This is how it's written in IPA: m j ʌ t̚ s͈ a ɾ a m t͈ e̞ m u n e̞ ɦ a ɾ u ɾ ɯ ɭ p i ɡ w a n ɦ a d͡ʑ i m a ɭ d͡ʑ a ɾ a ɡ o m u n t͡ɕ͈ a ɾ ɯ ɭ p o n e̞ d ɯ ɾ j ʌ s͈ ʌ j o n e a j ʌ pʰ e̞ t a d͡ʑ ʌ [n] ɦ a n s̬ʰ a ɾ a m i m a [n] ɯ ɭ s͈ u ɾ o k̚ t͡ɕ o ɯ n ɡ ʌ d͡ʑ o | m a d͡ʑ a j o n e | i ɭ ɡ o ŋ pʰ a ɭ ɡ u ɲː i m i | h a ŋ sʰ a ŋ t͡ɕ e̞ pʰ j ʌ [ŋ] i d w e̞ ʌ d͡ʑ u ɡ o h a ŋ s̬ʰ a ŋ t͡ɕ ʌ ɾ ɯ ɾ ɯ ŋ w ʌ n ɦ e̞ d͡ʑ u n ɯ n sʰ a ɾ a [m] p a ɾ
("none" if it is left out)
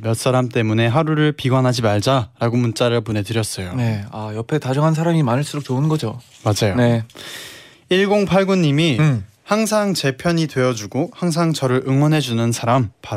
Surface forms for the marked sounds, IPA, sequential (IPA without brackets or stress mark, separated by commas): ŋ, n, ɲ, m